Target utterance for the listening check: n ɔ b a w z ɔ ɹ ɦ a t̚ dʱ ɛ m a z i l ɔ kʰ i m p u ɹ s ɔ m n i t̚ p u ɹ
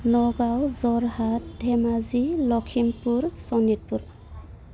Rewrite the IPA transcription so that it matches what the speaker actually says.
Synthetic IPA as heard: n ɔ ɡ a w z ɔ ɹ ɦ a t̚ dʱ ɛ m a z i l ɔ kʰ i m p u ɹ s ɔ n i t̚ p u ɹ